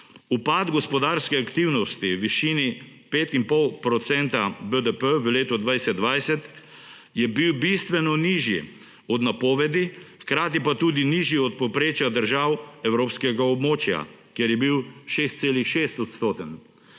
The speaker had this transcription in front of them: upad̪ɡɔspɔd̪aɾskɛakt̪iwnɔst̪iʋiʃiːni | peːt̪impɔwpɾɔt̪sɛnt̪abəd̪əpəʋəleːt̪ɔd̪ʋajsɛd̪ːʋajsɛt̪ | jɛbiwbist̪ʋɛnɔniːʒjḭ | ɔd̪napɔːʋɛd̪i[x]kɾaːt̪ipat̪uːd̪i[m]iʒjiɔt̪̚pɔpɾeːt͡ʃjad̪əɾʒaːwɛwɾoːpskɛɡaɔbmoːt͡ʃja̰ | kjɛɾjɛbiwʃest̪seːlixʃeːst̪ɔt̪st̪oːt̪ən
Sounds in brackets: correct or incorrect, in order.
correct, incorrect: n

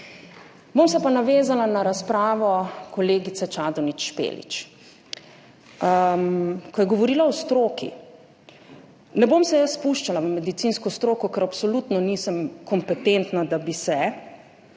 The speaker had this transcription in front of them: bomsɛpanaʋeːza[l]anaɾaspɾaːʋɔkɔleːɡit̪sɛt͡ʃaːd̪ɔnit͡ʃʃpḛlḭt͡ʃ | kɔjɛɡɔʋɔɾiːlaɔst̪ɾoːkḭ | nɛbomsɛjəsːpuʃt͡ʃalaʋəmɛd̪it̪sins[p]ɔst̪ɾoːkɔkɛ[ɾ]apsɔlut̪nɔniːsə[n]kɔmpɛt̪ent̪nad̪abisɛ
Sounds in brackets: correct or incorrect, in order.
correct, incorrect: k, correct, incorrect: m

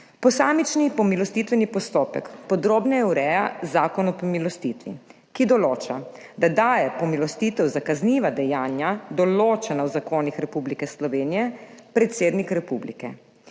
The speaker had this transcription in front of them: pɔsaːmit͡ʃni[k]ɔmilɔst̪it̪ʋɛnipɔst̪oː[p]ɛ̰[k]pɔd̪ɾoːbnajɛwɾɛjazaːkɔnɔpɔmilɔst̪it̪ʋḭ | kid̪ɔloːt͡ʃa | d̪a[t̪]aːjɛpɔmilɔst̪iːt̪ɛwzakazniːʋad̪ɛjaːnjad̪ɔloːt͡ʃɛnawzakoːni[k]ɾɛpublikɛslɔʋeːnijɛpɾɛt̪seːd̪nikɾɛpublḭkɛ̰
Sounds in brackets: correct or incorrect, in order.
incorrect: p, correct, correct, incorrect: d̪, incorrect: x

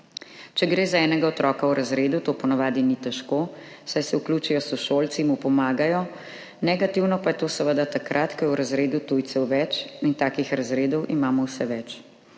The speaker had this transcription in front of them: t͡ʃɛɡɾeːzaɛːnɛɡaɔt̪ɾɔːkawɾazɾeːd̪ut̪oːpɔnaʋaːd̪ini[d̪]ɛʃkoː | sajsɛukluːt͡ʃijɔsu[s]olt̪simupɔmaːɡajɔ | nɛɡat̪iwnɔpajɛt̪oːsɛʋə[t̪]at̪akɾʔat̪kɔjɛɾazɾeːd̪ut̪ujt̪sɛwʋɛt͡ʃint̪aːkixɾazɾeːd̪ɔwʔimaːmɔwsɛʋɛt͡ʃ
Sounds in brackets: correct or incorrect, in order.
incorrect: t̪, incorrect: ʃ, incorrect: d̪

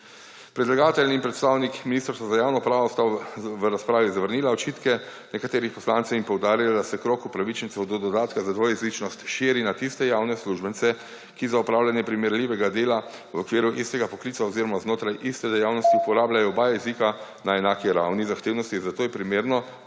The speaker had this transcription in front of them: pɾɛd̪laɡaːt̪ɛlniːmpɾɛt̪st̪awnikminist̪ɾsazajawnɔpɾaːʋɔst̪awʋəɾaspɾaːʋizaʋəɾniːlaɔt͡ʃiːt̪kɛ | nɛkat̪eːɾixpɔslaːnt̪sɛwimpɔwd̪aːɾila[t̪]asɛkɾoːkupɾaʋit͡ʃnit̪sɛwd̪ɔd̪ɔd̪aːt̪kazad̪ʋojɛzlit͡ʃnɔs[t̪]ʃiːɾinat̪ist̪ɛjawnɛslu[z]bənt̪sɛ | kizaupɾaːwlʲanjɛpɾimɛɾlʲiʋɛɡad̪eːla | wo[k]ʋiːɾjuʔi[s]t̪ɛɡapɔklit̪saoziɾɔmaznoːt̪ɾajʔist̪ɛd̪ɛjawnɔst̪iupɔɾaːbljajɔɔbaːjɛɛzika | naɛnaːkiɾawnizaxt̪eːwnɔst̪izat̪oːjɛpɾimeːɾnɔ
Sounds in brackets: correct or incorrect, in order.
incorrect: d̪, correct, incorrect: ʒ, correct, correct

